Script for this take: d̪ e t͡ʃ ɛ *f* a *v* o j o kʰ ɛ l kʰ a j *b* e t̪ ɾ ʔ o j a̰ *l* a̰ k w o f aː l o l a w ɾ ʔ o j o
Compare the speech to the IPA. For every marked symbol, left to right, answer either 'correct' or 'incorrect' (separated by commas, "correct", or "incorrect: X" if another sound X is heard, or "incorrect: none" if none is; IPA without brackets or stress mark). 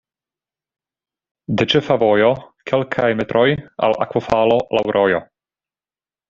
correct, correct, incorrect: m, correct